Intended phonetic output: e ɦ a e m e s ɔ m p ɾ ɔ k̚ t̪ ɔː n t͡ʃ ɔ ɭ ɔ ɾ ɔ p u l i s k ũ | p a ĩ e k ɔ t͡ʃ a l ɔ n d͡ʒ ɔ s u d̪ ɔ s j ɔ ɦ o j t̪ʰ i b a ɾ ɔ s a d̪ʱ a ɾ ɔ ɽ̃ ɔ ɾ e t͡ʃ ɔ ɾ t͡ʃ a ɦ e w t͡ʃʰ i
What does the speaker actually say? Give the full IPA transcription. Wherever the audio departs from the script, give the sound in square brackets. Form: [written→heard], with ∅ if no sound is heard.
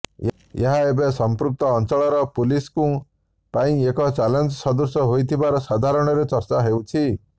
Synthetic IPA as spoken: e ɦ a e [m→b] e s ɔ m p ɾ [ɔ→u] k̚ t̪ ɔː n t͡ʃ ɔ ɭ ɔ ɾ ɔ p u l i s k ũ | p a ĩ e k ɔ t͡ʃ a l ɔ n d͡ʒ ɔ s [u→ɔ] d̪ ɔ s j ɔ ɦ o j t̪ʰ i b a ɾ ɔ s a d̪ʱ a ɾ ɔ ɽ̃ ɔ ɾ e t͡ʃ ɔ ɾ t͡ʃ a ɦ e w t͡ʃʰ i

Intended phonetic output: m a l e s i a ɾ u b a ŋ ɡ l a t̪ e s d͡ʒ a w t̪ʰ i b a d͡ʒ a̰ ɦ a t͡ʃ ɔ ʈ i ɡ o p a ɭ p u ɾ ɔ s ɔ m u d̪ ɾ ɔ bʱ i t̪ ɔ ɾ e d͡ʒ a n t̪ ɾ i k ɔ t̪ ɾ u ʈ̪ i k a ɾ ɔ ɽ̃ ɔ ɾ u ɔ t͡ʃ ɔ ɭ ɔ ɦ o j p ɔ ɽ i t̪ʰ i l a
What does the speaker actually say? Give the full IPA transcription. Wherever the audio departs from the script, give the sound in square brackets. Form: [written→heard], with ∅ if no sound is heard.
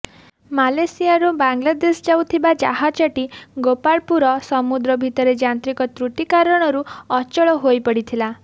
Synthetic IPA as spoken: m a l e s i a ɾ u b a ŋ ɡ l a [t̪→d̪] e s d͡ʒ a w t̪ʰ i b a d͡ʒ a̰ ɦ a t͡ʃ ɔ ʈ i ɡ o p a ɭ p u ɾ ɔ s ɔ m u d̪ ɾ ɔ bʱ i t̪ ɔ ɾ e d͡ʒ a n t̪ ɾ i k ɔ t̪ ɾ u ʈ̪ i k a ɾ ɔ ɽ̃ ɔ ɾ u ɔ t͡ʃ ɔ ɭ ɔ ɦ o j p ɔ ɽ i t̪ʰ i l a

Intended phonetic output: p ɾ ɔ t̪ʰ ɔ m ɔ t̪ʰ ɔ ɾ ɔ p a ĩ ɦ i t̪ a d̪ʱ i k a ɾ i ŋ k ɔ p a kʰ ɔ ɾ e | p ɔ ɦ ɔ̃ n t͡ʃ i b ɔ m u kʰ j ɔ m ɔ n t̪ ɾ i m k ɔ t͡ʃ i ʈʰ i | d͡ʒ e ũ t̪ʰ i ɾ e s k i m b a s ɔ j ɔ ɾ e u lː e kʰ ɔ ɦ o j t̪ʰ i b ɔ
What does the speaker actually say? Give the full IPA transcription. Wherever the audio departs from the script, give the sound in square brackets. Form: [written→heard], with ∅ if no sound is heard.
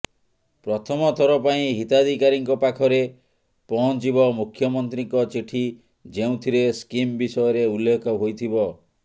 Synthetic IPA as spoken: p ɾ ɔ t̪ʰ ɔ m ɔ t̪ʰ ɔ ɾ ɔ p a ĩ ɦ i t̪ a d̪ʱ i k a ɾ i ŋ k ɔ p a kʰ ɔ ɾ e | p ɔ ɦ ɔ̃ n t͡ʃ i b ɔ m u kʰ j ɔ m ɔ n t̪ ɾ i [m→ŋ] k ɔ t͡ʃ i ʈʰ i | d͡ʒ e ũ t̪ʰ i ɾ e s k i m b [a→i] s ɔ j ɔ ɾ e u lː e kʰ ɔ ɦ o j t̪ʰ i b ɔ

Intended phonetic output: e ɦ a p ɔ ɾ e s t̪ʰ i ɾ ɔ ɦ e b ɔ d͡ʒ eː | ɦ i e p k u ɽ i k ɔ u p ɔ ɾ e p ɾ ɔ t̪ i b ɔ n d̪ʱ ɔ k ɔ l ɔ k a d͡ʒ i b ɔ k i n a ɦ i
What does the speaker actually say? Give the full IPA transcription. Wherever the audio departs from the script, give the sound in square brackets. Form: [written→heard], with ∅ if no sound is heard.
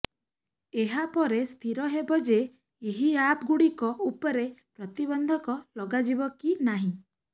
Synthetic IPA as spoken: e ɦ a p ɔ ɾ e s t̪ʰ i ɾ ɔ ɦ e b ɔ d͡ʒ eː | ɦ i [e→a] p [k→ɡ] u ɽ i k ɔ u p ɔ ɾ e p ɾ ɔ t̪ i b ɔ n d̪ʱ ɔ k ɔ l ɔ [k→ɡ] a d͡ʒ i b ɔ k i n a ɦ [i→ĩ]

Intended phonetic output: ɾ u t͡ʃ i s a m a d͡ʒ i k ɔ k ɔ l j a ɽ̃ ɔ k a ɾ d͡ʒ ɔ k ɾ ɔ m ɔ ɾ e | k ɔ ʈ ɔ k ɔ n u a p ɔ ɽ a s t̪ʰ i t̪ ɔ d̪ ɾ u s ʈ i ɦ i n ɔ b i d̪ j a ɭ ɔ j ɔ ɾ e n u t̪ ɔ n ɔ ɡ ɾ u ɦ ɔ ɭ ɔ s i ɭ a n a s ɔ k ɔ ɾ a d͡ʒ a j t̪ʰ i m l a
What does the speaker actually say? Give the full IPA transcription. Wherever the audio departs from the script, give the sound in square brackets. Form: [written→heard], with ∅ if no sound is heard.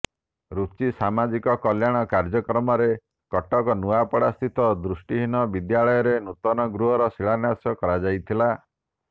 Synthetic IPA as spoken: ɾ u t͡ʃ i s a m a d͡ʒ i k ɔ k ɔ l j a ɽ̃ ɔ k a ɾ d͡ʒ ɔ k ɾ ɔ m ɔ ɾ e | k ɔ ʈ ɔ k ɔ n u a p ɔ ɽ a s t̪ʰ i t̪ ɔ d̪ ɾ u s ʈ i ɦ i n ɔ b i d̪ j a ɭ ɔ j ɔ ɾ e n u t̪ ɔ n ɔ ɡ ɾ u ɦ ɔ [ɭ→ɾ] ɔ s i ɭ a n a s ɔ k ɔ ɾ a d͡ʒ a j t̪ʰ i [m→∅] l a

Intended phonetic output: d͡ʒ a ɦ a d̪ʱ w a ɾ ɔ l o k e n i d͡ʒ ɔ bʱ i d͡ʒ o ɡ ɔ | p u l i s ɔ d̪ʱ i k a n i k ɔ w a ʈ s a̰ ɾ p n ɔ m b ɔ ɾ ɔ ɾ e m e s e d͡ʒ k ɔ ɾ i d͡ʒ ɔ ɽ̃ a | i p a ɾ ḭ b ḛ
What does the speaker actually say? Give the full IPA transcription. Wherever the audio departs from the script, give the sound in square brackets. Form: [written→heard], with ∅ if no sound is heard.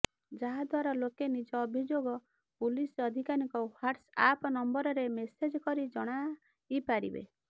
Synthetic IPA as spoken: d͡ʒ a ɦ a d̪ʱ w a ɾ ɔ l o k e n i d͡ʒ [ɔ→ɔː] bʱ i d͡ʒ o ɡ ɔ | p u l i s ɔ d̪ʱ i k a n i k ɔ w a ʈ s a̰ [ɾ→∅] p n ɔ m b ɔ ɾ ɔ ɾ e m e s e d͡ʒ k ɔ ɾ i d͡ʒ ɔ ɽ̃ a | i p a ɾ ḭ b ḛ

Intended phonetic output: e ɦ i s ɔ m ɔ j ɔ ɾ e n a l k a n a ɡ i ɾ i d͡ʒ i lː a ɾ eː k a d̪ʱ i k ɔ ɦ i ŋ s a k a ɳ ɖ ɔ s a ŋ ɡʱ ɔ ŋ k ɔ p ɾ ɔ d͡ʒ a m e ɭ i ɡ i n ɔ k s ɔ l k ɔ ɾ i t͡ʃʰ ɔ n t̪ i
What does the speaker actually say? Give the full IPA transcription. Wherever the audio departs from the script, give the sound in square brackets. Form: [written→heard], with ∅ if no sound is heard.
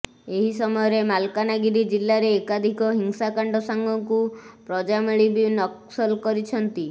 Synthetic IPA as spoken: e ɦ i s ɔ m ɔ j ɔ ɾ e [n→m] a l k a n a ɡ i ɾ i d͡ʒ i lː a ɾ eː k a d̪ʱ i k ɔ ɦ i ŋ s a k a ɳ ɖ ɔ s a ŋ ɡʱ ɔ ŋ k [ɔ→u] p ɾ ɔ d͡ʒ a m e ɭ i [ɡ→b] i n ɔ k s ɔ l k ɔ ɾ i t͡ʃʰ ɔ n t̪ i

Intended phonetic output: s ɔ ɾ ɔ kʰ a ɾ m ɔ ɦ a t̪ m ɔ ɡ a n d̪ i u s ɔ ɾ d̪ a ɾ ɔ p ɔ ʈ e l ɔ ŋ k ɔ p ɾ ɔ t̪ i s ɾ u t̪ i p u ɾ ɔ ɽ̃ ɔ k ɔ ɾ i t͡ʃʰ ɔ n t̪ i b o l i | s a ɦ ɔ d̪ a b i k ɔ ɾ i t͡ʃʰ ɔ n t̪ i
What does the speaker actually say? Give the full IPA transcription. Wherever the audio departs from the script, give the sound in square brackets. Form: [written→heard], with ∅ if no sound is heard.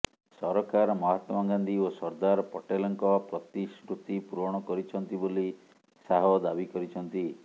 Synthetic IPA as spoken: s ɔ ɾ ɔ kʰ a ɾ m ɔ ɦ a t̪ m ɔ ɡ a n d̪ i [u→o] s ɔ ɾ d̪ a ɾ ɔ p ɔ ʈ e l ɔ ŋ k ɔ p ɾ ɔ t̪ i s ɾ u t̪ i p u ɾ ɔ ɽ̃ ɔ k ɔ ɾ i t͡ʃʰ ɔ n t̪ i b o l i | s a ɦ ɔ d̪ a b i k ɔ ɾ i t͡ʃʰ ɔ n t̪ i

